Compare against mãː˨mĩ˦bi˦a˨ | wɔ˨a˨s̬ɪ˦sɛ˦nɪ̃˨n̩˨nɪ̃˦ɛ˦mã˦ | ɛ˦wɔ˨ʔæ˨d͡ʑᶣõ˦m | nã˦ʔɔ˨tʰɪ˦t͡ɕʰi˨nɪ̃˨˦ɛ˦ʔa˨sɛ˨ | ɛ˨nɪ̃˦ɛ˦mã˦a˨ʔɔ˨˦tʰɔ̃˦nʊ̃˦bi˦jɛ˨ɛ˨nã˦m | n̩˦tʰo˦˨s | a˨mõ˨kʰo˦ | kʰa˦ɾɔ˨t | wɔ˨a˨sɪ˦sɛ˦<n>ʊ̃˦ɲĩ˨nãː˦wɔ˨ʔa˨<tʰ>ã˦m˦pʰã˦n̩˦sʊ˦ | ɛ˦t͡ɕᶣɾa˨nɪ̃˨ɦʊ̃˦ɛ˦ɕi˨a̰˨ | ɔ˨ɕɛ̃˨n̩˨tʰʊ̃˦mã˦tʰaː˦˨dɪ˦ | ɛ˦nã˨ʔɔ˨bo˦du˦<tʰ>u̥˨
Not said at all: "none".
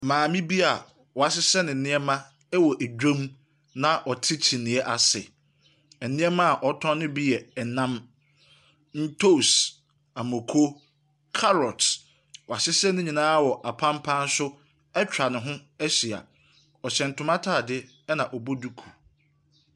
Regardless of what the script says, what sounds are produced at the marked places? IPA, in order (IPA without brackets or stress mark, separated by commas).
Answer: n, pʰ, kʰ